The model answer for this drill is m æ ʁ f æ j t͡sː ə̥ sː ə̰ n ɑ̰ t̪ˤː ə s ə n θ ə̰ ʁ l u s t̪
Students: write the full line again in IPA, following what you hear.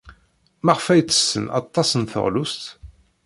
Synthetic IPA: m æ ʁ f æ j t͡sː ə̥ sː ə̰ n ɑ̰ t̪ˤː ɑ s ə n θ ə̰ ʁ l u s t̪